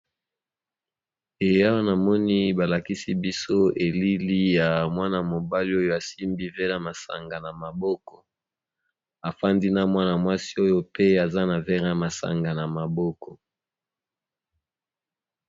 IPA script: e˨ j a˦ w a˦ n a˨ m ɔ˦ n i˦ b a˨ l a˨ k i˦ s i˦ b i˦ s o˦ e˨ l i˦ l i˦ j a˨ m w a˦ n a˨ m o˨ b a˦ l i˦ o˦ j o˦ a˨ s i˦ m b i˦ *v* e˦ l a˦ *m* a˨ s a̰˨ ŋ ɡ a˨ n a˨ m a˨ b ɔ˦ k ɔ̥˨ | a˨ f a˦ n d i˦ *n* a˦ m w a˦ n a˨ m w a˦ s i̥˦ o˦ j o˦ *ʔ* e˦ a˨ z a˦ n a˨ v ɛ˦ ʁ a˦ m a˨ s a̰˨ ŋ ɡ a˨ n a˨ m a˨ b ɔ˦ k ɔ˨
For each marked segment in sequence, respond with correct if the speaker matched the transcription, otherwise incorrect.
correct, correct, correct, incorrect

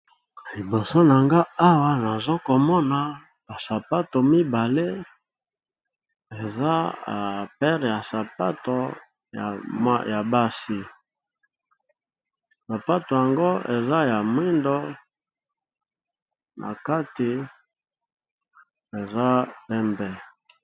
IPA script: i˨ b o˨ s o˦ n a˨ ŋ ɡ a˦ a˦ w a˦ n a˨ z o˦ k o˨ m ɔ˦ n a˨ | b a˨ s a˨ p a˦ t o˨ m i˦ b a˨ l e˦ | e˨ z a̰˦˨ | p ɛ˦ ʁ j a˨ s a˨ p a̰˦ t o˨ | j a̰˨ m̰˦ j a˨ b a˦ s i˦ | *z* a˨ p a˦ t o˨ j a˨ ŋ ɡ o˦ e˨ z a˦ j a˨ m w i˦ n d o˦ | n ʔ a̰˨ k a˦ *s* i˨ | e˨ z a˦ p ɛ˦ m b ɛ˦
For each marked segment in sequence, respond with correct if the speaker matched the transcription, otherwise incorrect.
incorrect, incorrect

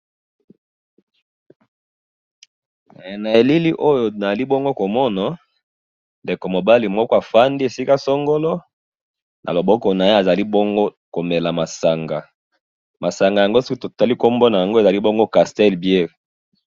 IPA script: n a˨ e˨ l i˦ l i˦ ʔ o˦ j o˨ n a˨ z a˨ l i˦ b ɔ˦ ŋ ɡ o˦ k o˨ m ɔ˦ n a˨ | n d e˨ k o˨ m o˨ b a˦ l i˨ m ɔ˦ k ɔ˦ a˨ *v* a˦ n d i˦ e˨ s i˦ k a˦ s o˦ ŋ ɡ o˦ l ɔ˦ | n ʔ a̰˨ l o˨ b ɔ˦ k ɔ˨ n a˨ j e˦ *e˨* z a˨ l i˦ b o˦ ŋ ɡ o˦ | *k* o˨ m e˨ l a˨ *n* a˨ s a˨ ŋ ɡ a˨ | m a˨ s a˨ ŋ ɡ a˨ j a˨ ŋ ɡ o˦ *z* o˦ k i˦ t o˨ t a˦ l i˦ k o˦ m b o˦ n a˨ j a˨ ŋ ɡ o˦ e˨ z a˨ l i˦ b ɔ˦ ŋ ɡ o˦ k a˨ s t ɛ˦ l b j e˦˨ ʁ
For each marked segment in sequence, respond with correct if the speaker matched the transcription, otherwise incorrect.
incorrect, incorrect, correct, incorrect, incorrect

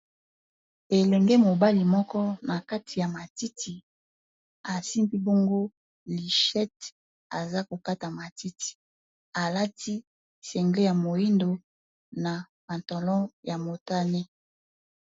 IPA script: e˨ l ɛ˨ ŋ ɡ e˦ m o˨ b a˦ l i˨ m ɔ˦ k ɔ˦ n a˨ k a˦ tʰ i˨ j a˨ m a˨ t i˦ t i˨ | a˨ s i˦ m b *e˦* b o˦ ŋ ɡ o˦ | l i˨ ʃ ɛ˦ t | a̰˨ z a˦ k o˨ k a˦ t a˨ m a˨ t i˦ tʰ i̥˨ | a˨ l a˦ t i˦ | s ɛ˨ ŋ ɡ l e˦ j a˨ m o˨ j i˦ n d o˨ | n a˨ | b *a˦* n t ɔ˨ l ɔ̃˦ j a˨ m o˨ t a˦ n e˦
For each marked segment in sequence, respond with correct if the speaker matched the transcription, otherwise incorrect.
incorrect, incorrect

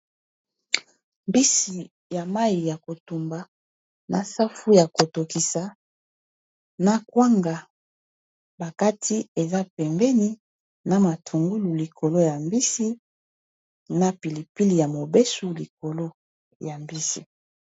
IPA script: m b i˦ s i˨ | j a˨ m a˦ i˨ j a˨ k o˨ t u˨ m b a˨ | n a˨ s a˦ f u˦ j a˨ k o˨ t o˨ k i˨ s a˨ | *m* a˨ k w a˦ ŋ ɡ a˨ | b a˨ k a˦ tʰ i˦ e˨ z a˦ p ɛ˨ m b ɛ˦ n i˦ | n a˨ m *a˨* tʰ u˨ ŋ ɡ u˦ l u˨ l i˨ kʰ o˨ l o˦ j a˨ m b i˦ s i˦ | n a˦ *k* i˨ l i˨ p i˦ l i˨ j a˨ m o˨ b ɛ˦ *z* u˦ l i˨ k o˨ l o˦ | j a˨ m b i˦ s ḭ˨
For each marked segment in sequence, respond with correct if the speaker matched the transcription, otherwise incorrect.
incorrect, correct, incorrect, incorrect

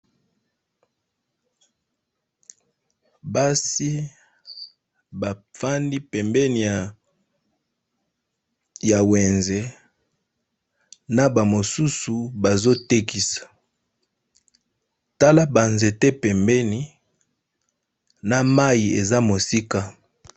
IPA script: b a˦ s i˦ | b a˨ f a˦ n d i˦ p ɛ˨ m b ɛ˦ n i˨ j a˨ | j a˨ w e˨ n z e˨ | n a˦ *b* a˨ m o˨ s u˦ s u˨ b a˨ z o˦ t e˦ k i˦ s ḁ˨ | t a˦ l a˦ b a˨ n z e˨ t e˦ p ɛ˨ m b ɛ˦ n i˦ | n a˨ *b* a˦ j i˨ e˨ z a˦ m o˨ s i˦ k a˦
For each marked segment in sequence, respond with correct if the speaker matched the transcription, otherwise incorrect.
correct, incorrect

